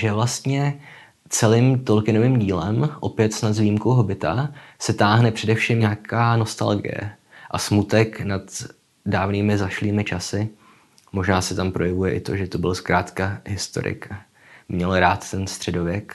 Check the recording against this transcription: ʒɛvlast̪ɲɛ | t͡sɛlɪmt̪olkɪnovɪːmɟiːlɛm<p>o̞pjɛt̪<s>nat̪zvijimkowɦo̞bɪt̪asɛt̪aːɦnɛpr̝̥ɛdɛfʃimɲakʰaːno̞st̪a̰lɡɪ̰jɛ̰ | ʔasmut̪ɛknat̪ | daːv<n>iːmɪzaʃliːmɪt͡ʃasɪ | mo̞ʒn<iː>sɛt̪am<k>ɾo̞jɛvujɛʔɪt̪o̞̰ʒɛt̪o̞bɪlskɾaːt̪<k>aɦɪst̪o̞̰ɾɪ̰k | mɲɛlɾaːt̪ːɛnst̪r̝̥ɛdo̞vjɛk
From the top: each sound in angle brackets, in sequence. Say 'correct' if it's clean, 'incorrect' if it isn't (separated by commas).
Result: incorrect, correct, correct, incorrect, incorrect, correct